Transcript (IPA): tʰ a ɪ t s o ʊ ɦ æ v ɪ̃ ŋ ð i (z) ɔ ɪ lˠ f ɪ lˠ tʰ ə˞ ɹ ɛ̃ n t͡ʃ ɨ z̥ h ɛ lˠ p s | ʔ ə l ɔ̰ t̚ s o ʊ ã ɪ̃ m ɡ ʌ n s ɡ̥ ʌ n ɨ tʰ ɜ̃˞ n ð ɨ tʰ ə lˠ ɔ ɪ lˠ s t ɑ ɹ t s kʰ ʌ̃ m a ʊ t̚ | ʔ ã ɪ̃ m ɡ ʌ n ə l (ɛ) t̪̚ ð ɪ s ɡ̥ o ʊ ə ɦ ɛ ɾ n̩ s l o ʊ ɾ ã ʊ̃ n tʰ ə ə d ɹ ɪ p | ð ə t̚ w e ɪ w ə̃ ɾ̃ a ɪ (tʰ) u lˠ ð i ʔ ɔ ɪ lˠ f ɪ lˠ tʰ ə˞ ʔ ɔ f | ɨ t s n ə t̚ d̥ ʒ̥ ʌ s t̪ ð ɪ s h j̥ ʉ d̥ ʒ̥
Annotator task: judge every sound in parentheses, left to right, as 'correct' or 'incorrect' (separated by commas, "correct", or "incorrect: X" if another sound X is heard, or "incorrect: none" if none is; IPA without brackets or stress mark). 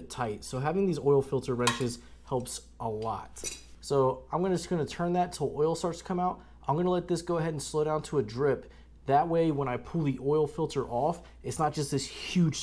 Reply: correct, correct, incorrect: pʰ